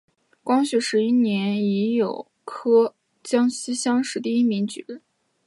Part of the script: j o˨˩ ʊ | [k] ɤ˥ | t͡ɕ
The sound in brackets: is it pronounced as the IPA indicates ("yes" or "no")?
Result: no